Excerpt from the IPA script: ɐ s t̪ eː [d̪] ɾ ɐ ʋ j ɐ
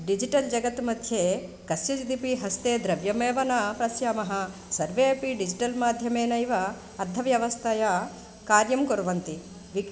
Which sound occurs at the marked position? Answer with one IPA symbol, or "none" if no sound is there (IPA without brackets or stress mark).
d̪